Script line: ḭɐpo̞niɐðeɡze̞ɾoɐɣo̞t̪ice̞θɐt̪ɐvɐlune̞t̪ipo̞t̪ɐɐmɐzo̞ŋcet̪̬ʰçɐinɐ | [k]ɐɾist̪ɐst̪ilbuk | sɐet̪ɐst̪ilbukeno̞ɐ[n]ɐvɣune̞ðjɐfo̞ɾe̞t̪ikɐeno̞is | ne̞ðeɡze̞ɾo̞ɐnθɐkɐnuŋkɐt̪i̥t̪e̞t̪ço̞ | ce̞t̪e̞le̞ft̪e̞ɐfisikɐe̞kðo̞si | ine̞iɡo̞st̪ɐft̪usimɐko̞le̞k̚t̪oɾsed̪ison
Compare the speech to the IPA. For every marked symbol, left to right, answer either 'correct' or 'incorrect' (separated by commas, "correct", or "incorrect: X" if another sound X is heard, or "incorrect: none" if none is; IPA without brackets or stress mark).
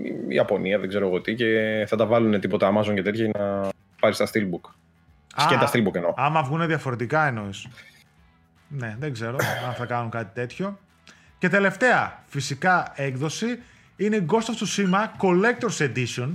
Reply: incorrect: p, incorrect: m